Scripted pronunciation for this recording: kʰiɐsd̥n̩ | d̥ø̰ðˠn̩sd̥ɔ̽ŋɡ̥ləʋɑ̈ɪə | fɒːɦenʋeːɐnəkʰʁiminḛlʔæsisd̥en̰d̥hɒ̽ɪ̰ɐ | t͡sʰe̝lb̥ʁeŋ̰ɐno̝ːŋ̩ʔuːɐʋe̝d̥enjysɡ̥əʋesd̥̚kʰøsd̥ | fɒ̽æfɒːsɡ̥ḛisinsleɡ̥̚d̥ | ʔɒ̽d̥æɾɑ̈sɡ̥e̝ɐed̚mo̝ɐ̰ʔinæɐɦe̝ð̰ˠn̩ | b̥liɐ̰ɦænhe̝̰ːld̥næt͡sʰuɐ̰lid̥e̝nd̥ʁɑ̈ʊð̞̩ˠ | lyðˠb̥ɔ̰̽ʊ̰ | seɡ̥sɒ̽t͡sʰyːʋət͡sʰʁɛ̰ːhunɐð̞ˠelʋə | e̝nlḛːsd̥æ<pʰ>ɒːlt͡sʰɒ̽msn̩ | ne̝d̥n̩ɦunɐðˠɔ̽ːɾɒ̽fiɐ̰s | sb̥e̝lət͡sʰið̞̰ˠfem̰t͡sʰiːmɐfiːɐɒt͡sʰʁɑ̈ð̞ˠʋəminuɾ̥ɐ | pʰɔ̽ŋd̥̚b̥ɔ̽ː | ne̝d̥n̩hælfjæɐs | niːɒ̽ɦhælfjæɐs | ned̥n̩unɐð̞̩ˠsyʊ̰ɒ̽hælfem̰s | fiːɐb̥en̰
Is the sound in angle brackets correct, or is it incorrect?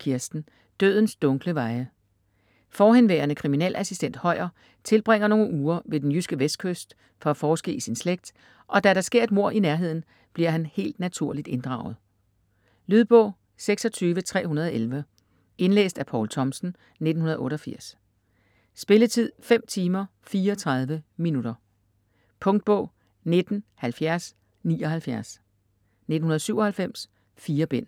correct